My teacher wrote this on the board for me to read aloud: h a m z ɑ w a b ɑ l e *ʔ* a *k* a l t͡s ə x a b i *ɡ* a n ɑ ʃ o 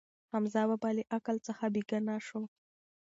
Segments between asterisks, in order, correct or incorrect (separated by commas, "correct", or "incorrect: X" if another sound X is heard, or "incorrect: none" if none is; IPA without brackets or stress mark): correct, correct, correct